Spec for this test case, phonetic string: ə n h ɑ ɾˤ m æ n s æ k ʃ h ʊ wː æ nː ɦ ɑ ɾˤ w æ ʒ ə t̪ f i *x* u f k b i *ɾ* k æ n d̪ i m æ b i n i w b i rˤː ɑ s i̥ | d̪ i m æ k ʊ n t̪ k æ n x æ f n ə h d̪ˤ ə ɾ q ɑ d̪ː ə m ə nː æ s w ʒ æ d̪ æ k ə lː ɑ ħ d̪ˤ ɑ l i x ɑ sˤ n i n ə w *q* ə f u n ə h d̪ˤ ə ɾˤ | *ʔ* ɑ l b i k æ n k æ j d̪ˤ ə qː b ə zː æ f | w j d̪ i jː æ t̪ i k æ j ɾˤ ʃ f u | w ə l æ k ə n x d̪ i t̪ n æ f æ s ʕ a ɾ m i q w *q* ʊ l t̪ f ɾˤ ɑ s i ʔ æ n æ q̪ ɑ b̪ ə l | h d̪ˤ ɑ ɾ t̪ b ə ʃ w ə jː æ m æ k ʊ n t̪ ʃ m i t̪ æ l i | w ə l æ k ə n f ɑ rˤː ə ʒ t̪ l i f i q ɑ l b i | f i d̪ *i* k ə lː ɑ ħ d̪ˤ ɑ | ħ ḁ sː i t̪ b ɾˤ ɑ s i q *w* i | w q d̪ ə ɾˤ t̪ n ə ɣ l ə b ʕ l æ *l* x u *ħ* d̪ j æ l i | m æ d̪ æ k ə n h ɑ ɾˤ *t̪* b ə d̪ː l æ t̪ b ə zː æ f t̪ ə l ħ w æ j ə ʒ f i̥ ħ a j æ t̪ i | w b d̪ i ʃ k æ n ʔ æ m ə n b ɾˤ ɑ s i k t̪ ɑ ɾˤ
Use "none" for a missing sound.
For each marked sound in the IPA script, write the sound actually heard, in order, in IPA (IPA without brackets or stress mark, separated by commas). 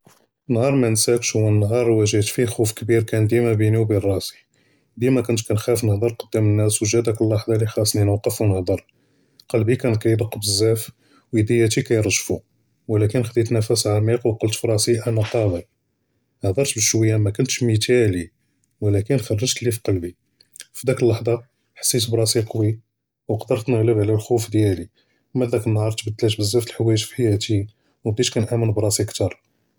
x, ɾ, q, q, q, æ, w, l, f, t̪